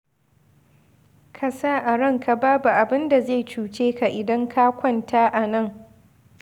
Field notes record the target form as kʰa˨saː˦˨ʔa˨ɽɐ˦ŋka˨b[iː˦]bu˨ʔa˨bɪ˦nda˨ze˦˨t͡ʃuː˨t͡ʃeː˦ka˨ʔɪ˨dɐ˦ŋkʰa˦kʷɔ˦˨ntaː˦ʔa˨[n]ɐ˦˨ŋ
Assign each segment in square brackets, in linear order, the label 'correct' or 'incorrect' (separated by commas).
incorrect, correct